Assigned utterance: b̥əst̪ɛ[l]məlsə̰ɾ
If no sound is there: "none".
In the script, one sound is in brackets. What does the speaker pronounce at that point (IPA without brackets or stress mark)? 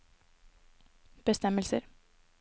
none